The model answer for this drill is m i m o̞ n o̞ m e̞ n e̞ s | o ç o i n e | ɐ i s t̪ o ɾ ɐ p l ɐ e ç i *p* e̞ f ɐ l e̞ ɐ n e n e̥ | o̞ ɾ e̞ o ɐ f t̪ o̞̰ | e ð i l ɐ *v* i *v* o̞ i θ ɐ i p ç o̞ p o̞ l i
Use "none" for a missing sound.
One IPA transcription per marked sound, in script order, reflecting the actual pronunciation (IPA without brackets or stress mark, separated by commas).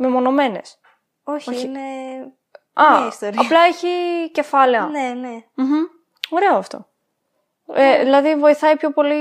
c, ð, v